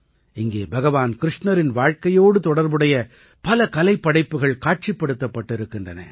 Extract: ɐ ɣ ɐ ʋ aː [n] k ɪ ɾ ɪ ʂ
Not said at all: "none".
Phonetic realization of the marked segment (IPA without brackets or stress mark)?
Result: n